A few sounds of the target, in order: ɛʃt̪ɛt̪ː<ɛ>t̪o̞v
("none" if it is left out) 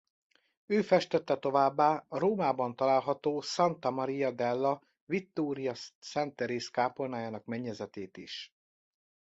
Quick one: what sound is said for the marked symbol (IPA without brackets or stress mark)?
ɛ